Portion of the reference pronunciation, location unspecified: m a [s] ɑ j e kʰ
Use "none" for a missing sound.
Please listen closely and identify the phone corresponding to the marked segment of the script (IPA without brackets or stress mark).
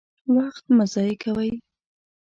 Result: z